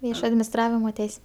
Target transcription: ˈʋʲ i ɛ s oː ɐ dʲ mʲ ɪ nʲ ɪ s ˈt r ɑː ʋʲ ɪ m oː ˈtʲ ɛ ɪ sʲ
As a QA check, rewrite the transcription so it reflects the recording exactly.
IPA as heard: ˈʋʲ i ɛ ʃ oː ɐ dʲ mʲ ɪ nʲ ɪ s ˈt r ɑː ʋʲ ɪ m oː ˈtʲ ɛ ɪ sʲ